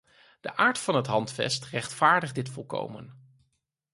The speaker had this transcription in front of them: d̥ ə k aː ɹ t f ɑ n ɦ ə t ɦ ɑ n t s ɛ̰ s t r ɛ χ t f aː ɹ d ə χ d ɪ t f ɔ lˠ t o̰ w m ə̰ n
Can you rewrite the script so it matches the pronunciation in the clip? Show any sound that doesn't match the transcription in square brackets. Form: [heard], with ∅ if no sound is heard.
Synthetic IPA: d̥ ə [ʔ] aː ɹ t f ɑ n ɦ ə t ɦ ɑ n t [f] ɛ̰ s t r ɛ χ t f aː ɹ d ə χ d ɪ t f ɔ lˠ [k] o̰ w m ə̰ n